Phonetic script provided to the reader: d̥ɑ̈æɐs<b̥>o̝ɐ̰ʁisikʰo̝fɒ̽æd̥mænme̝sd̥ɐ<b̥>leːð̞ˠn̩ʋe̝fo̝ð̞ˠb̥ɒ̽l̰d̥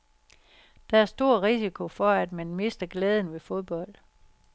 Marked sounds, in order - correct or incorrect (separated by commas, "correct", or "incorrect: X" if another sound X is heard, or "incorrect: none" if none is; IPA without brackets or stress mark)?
incorrect: d̥, incorrect: ɡ̥